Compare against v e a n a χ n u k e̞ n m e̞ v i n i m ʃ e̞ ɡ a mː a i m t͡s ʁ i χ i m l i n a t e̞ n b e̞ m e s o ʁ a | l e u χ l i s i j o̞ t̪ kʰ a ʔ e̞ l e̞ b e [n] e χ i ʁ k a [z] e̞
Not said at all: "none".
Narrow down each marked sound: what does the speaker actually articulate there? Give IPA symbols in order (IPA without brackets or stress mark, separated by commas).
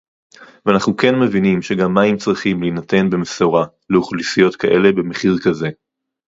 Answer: m, z